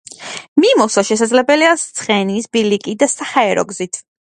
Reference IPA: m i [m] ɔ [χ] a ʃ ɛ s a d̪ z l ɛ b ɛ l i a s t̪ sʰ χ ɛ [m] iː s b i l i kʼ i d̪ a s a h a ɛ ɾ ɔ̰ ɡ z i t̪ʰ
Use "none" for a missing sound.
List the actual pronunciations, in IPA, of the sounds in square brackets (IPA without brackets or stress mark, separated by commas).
m, s, n